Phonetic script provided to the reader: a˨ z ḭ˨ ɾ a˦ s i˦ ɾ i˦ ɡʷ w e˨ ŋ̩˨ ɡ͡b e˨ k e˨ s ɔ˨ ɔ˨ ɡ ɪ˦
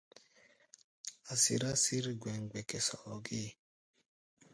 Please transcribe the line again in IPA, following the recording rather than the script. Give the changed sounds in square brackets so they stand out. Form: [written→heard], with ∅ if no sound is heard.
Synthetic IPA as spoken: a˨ [z→s] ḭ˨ ɾ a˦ s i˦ ɾ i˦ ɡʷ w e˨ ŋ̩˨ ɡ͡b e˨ k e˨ s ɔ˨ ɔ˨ ɡ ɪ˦